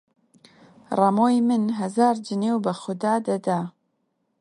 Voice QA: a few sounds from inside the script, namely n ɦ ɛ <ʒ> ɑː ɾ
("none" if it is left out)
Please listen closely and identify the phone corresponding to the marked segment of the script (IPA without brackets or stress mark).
z